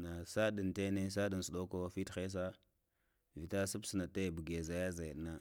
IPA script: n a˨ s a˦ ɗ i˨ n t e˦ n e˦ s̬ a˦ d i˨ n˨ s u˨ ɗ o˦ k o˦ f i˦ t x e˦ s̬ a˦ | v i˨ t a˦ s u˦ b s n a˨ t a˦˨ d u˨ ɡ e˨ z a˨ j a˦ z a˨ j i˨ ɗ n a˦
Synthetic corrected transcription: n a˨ s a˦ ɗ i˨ n t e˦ n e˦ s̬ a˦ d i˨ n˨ s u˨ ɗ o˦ k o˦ f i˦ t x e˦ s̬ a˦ | v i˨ t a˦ s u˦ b s n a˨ t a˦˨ b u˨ ɡ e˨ z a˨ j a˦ z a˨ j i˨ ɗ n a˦